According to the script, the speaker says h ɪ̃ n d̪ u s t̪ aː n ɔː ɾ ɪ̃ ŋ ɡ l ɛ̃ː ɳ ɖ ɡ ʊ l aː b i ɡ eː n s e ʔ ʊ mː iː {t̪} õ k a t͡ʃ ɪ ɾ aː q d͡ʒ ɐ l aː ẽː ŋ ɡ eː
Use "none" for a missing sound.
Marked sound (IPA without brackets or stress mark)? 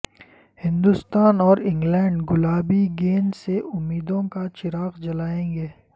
d̪